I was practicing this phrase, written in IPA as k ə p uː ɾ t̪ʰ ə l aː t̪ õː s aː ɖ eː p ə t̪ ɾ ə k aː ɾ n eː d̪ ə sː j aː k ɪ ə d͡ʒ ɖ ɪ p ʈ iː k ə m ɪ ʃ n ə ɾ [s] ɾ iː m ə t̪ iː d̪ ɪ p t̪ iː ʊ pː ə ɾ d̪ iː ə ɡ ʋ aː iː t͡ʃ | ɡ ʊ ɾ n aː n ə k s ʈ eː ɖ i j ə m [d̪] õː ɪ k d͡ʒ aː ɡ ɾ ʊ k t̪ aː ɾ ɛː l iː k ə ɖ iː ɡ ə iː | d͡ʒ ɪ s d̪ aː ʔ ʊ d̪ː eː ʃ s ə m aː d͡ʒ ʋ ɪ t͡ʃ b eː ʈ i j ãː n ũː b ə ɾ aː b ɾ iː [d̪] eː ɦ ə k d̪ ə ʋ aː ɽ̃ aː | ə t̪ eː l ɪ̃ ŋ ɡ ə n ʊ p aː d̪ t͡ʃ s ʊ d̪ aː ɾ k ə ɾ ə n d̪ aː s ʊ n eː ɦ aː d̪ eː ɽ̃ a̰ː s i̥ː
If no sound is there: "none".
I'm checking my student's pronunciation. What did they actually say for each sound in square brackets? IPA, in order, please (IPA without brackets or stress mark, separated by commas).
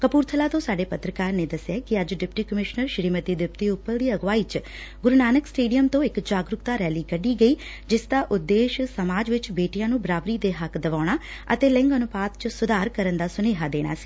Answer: ʃ, t̪, d̪